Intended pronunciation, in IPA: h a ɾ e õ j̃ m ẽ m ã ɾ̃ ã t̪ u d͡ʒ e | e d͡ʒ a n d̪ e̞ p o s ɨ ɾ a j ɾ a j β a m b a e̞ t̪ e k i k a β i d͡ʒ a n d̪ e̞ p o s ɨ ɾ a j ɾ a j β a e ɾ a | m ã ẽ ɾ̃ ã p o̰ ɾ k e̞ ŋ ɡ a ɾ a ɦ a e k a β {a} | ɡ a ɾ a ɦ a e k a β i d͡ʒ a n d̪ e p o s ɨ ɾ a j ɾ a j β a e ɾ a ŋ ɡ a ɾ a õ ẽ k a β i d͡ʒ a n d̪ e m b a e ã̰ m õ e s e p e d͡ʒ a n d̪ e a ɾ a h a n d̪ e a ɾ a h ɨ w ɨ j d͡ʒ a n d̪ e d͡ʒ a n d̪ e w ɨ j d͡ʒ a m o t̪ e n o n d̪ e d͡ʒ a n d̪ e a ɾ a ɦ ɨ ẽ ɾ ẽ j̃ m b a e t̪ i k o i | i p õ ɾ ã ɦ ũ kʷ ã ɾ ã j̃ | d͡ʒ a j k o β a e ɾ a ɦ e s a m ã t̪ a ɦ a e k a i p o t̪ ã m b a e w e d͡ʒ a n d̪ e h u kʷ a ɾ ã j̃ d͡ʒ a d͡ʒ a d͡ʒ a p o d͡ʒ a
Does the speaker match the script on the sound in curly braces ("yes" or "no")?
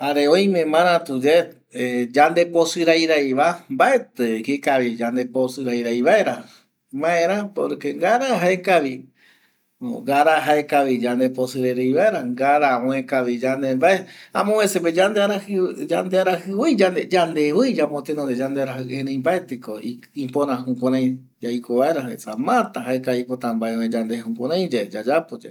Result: no